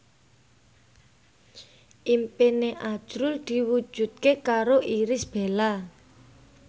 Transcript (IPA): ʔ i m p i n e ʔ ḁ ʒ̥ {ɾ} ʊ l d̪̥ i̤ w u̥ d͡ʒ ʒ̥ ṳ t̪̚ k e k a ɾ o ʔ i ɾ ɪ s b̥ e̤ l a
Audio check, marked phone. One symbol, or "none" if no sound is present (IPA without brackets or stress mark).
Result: ɾ